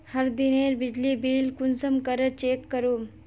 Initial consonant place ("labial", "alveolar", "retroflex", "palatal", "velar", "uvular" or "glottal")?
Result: glottal